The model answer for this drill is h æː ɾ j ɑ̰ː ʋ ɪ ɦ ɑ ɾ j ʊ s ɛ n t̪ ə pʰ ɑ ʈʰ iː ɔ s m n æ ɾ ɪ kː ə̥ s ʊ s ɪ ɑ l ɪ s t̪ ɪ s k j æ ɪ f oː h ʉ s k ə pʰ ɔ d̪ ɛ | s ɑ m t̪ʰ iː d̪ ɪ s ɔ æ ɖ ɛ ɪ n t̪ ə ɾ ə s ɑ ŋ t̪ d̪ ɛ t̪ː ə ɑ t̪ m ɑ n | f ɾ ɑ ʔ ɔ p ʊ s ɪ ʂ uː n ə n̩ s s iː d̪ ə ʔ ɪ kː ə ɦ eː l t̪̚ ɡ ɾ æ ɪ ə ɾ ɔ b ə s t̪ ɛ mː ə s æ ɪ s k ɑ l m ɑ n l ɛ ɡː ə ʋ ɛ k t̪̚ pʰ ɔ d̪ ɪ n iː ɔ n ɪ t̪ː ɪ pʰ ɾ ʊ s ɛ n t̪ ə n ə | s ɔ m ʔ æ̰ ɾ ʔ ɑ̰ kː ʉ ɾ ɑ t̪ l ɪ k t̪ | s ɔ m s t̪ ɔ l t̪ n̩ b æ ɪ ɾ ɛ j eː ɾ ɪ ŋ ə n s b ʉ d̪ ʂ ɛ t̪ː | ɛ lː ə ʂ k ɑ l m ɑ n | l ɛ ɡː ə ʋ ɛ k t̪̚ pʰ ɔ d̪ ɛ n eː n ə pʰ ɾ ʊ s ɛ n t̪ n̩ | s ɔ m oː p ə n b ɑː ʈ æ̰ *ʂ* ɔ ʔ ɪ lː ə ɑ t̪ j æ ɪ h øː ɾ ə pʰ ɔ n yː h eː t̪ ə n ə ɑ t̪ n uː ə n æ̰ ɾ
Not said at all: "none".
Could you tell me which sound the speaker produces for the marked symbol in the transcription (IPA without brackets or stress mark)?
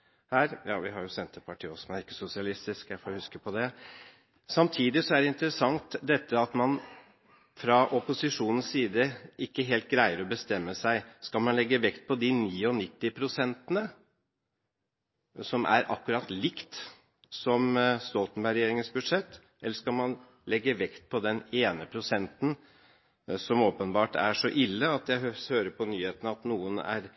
ʂ